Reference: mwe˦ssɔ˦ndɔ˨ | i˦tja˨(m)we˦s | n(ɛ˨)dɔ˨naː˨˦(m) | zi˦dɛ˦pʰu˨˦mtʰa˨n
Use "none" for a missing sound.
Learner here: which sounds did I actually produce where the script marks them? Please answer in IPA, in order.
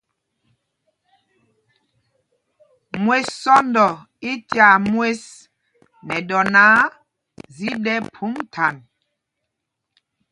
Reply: m, ɛ˨, none

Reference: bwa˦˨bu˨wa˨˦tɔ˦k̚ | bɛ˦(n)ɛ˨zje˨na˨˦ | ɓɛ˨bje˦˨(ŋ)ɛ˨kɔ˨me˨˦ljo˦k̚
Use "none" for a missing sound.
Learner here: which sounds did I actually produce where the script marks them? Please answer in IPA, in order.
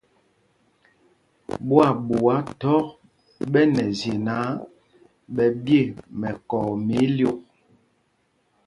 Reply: n, m

